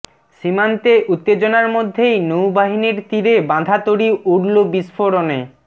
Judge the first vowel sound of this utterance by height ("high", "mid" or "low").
high